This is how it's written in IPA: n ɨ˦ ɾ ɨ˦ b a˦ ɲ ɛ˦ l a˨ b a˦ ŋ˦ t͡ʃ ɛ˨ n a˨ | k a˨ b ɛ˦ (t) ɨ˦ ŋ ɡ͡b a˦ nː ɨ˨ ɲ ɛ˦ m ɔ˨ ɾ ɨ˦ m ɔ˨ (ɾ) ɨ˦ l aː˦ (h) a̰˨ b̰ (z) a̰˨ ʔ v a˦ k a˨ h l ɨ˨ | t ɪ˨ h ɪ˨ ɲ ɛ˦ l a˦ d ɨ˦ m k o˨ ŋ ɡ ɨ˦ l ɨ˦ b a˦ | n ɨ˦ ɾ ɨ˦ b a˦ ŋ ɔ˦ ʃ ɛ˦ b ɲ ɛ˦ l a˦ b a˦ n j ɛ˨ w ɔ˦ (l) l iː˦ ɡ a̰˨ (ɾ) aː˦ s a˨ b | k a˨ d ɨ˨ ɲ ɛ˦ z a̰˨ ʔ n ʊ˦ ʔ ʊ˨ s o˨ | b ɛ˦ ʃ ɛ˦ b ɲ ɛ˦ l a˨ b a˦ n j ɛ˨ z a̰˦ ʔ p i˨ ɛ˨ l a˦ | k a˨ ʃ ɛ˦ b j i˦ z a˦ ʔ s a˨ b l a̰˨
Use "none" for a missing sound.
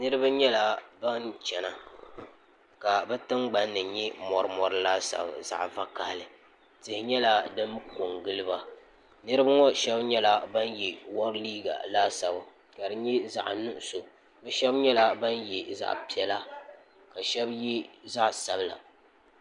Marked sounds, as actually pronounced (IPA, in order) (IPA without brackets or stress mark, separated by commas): t, ɾ, s, z, ɾ, l